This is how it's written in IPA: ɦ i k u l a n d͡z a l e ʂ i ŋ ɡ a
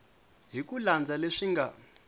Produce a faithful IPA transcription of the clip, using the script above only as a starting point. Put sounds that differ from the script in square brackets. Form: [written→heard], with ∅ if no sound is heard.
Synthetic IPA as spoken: ɦ i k u l a n d͡z a l e ʂ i ŋ ɡ a

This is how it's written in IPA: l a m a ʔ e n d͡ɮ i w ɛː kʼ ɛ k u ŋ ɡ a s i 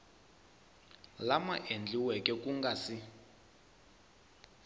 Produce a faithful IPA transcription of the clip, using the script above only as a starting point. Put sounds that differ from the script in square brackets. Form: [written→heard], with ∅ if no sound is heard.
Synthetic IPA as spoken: l a m a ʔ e n d͡ɮ i w [ɛː→ɛ] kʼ ɛ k u ŋ ɡ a s i

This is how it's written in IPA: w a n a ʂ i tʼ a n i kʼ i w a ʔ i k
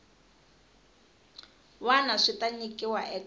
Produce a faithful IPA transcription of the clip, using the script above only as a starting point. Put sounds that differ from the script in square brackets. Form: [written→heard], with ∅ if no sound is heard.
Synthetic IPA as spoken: w a n a ʂ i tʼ a [n→ɲ] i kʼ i w a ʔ [i→ɛ] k

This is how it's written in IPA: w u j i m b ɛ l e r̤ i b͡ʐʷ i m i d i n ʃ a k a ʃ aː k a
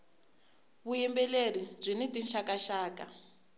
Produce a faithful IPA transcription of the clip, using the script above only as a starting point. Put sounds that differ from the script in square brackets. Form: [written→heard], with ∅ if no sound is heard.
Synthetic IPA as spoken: [w→β] u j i m b ɛ l e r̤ i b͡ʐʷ i [m→n] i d i n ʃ a k a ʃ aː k a

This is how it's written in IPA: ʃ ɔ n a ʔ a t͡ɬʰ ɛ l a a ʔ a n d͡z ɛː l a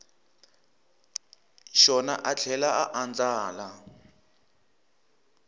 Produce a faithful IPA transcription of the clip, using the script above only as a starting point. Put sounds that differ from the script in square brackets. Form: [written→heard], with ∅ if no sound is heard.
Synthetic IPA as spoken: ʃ ɔ n a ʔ a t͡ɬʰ ɛ l a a ʔ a n d͡z [ɛː→aː] l a

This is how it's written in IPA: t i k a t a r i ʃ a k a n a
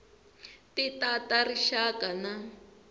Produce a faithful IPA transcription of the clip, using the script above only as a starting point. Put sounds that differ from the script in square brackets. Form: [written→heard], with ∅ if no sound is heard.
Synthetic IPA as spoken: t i [k→t] a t a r i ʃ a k a n a

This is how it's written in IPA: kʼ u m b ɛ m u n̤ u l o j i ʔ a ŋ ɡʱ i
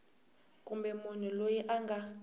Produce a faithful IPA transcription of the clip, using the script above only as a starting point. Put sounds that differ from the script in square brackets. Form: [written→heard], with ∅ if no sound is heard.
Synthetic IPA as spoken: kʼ u m b ɛ m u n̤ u l o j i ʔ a ŋ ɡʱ [i→a]

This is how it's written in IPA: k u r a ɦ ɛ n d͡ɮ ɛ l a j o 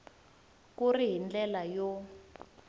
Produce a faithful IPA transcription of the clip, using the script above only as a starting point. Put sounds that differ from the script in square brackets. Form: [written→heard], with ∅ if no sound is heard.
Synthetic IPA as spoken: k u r [a→i] ɦ [ɛ→i] n d͡ɮ ɛ l a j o

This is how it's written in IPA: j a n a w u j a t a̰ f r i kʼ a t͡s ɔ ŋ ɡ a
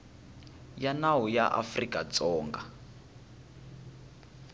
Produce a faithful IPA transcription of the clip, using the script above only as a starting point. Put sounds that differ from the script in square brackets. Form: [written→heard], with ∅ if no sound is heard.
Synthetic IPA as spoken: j a n a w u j a [t→ʔ] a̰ f r i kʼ a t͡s [ɔ→ɔː] ŋ ɡ a

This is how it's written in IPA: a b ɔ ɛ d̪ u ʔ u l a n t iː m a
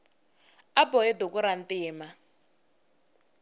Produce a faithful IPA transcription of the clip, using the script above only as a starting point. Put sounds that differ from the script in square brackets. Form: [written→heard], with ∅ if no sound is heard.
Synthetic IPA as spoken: a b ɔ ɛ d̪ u [ʔ→k] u [l→ɾ] a n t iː m a

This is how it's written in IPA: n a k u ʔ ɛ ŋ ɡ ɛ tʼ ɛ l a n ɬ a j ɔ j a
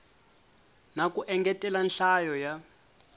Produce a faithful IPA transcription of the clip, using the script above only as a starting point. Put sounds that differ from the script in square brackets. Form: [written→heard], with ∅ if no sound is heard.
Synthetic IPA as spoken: n a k u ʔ ɛ ŋ ɡ ɛ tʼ ɛ l a n ɬ a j ɔ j a

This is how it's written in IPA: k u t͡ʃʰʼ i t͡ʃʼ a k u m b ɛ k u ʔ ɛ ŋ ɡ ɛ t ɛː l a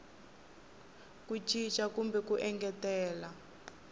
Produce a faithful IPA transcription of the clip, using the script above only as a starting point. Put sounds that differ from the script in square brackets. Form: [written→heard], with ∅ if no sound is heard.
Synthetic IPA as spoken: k u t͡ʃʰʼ i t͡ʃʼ a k u m b ɛ k u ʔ ɛ ŋ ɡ ɛ t ɛː l a

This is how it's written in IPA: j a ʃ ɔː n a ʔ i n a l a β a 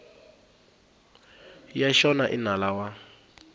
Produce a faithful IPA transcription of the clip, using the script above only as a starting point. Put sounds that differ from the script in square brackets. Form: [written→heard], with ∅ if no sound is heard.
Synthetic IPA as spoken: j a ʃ [ɔː→ɔ] n a ʔ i n a l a [β→w] a

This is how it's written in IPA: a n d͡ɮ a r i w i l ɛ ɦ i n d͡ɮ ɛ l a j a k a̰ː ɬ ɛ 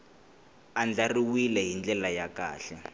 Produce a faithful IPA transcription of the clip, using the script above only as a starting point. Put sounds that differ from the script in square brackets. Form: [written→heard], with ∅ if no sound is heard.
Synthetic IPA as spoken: a n d͡ɮ a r i w i l ɛ ɦ i n d͡ɮ ɛ l a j a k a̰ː ɬ ɛ

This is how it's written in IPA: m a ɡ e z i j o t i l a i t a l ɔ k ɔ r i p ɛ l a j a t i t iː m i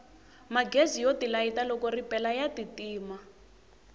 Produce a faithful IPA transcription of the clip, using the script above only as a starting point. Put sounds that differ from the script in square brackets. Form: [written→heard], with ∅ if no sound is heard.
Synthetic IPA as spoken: m a ɡ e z i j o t i l a i t a l ɔ k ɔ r i p ɛ l a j a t i t iː m [i→a]

